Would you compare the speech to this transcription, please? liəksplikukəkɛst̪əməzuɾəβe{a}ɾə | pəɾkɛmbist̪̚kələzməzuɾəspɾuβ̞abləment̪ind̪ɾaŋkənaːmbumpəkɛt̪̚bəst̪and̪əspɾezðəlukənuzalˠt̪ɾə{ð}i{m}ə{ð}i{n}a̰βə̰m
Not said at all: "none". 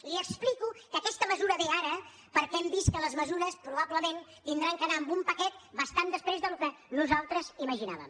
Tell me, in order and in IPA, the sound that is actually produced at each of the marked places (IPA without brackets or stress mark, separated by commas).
a, z, m, ʒ, n